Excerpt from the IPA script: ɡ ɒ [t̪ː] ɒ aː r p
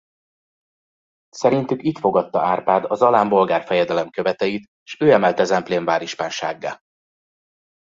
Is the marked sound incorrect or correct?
correct